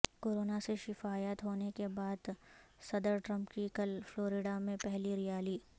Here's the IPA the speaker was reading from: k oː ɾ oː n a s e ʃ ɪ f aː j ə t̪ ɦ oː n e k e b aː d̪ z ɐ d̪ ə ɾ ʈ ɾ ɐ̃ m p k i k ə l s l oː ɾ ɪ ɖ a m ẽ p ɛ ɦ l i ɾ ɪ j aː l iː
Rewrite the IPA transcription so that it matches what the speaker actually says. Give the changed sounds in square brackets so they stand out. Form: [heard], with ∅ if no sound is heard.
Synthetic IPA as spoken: k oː ɾ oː n a s e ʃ ɪ f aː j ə t̪ ɦ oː n e k e b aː d̪ [s] ɐ d̪ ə ɾ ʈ ɾ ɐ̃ m p k i k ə l [f] l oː ɾ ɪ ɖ a m ẽ p ɛ ɦ l i ɾ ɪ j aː l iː